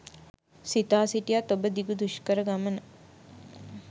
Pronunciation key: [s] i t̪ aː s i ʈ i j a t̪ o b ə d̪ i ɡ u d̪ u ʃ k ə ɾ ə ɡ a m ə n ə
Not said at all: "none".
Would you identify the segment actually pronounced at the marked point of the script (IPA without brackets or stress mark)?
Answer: s